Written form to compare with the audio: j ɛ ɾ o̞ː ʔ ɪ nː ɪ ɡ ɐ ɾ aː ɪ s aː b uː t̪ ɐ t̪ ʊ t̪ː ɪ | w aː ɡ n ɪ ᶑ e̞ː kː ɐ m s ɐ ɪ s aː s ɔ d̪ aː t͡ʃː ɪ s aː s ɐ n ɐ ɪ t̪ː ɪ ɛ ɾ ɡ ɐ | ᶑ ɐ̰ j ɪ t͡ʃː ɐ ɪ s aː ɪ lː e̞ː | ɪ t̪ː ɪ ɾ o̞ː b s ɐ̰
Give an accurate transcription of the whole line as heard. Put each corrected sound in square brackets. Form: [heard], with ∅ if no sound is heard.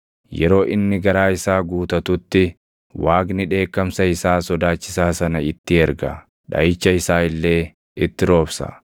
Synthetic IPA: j ɛ ɾ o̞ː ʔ ɪ nː ɪ ɡ ɐ ɾ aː ɪ s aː [ɡ] uː t̪ ɐ t̪ ʊ t̪ː ɪ | w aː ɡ n ɪ ᶑ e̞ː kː ɐ m s ɐ ɪ s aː s ɔ d̪ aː t͡ʃː ɪ s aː s ɐ n ɐ ɪ t̪ː ɪ ɛ ɾ ɡ ɐ | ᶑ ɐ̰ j ɪ t͡ʃː ɐ ɪ s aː ɪ lː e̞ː | ɪ t̪ː ɪ ɾ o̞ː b s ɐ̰